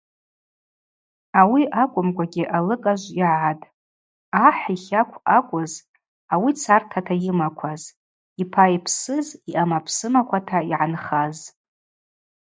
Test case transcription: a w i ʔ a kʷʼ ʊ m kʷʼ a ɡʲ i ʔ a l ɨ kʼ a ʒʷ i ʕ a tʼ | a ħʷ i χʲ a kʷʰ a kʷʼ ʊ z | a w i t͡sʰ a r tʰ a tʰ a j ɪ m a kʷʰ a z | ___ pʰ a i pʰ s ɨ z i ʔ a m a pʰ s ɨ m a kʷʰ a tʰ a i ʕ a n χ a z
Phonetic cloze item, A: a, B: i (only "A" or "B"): B